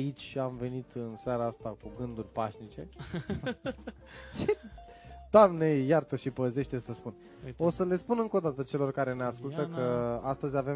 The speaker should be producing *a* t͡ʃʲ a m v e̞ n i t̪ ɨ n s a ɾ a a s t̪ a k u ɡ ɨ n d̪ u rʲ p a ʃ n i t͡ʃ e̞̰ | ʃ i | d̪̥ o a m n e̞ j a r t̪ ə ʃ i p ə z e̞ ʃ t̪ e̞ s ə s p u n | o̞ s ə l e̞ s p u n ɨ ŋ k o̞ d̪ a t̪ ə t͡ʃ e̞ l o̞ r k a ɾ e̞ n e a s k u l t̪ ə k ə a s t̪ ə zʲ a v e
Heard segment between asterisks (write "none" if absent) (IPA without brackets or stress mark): i